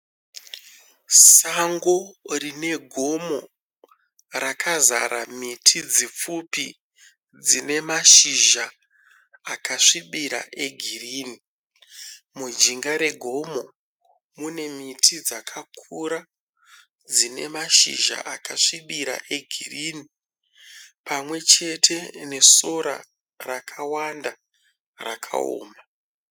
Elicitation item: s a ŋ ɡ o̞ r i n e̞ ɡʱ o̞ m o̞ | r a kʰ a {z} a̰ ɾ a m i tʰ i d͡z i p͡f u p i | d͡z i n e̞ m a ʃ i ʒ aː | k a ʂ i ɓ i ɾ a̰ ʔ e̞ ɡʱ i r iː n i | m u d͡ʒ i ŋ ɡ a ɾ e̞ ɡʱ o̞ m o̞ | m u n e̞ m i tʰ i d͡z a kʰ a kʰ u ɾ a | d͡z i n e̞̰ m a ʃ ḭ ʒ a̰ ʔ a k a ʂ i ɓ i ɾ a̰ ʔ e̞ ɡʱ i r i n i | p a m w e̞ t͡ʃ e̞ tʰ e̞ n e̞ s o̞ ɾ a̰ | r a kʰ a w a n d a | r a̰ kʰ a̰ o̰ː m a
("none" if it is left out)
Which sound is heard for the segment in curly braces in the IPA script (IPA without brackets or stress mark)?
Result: z